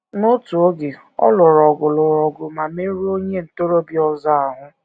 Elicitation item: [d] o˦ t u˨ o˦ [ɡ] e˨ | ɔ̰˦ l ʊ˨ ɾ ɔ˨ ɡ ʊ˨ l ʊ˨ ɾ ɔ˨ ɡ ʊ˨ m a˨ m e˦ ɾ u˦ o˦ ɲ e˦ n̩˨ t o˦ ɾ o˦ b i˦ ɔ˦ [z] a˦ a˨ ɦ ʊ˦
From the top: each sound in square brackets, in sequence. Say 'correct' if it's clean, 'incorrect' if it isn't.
incorrect: n, correct, correct

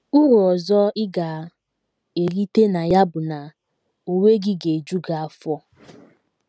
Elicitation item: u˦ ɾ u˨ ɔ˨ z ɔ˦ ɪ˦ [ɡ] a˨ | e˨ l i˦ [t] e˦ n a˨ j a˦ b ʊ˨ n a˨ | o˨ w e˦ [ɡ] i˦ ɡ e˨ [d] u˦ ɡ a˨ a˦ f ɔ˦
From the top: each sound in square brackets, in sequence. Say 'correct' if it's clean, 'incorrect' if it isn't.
correct, correct, correct, incorrect: d͡ʒ

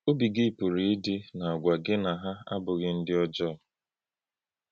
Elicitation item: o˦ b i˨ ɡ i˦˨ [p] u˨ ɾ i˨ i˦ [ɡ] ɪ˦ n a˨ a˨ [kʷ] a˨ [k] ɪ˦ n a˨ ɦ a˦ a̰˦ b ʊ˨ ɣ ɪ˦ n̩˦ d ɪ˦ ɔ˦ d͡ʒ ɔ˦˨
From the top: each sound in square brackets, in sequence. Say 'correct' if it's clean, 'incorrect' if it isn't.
correct, incorrect: d, incorrect: ɡʷ, incorrect: ɡ

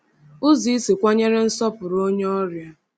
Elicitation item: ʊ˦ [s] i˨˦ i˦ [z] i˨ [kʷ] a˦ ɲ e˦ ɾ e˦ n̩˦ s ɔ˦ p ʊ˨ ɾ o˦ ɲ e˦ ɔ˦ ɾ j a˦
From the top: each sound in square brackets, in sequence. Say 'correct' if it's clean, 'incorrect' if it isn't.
incorrect: z, incorrect: s, correct

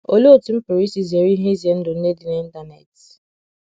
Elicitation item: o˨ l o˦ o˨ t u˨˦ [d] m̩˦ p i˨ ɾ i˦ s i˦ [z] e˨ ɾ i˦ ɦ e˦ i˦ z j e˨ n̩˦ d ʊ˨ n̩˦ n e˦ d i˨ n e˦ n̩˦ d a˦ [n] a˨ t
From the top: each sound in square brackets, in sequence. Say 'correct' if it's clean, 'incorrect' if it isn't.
incorrect: none, correct, correct

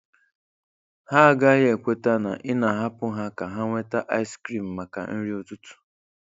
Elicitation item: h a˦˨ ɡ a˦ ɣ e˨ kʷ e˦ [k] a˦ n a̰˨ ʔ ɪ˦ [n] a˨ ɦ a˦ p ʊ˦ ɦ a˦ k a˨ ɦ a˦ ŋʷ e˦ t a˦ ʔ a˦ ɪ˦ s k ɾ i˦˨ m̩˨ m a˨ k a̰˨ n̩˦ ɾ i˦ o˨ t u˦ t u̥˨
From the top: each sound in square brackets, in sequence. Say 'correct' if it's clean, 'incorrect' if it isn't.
incorrect: t, correct

